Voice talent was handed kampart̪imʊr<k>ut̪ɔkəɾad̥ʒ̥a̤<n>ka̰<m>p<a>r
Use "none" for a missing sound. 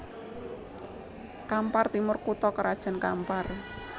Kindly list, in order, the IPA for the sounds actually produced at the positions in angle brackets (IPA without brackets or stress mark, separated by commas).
k, n, m, a